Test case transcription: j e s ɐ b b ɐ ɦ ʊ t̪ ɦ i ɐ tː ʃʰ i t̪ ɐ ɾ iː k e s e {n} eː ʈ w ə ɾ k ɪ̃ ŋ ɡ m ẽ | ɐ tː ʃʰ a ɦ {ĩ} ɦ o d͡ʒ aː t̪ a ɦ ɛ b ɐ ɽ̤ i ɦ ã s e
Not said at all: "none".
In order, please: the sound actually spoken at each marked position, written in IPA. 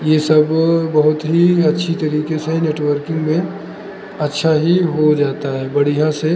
n, i

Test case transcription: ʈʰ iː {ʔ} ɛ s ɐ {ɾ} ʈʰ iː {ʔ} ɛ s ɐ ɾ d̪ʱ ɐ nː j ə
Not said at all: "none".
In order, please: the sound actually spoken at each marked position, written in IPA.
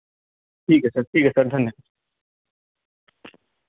k, ɾ, k

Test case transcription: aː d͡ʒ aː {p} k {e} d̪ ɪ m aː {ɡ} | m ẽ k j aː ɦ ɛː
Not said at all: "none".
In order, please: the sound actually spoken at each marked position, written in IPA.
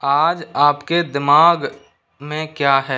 p, e, ɡ

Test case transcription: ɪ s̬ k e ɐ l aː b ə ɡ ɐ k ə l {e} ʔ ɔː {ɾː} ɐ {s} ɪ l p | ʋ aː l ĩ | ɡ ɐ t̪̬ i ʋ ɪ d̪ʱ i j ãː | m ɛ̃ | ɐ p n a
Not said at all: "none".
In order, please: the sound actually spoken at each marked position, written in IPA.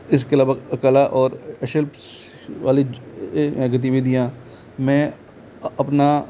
a, ɾ, ʃ

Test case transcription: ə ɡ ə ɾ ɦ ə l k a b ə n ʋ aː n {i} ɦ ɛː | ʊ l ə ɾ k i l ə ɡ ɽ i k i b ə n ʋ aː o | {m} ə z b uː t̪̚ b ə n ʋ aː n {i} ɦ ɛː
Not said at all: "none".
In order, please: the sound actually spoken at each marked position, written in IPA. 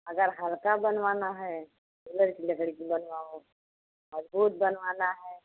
a, m, a

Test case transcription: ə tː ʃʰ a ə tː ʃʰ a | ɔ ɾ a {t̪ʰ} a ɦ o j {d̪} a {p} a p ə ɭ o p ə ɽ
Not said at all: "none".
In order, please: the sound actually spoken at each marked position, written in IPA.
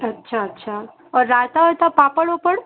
t̪, t̪, p

